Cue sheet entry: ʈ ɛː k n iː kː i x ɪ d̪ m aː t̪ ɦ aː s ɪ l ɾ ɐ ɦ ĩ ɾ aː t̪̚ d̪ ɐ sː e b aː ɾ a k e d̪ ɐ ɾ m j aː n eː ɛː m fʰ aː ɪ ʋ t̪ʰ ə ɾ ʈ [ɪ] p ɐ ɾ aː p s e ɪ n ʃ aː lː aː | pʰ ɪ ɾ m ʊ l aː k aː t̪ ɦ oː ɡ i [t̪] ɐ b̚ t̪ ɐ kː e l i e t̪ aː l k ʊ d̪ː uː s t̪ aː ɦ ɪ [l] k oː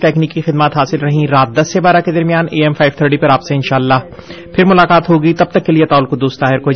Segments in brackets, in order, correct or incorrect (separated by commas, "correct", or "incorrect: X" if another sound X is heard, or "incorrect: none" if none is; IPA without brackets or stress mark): incorrect: i, correct, incorrect: ɾ